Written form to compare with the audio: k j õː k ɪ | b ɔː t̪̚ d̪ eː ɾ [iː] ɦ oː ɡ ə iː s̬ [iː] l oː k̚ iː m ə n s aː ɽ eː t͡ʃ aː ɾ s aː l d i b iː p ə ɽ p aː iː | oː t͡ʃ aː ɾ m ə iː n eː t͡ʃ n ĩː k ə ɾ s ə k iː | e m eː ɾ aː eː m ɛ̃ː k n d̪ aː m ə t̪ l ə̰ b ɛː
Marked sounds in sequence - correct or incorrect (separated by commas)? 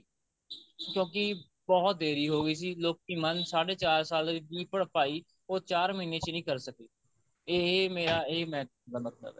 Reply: correct, correct